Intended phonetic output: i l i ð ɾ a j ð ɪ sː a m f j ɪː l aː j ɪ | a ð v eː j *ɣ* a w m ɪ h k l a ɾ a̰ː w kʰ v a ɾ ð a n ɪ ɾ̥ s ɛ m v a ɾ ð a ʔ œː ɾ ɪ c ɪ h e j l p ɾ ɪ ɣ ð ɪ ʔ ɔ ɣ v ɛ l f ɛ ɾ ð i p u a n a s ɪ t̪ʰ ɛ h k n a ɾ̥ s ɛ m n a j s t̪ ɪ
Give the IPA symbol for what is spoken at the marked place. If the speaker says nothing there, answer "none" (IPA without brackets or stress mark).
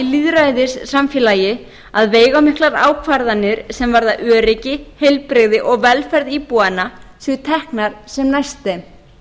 ɣ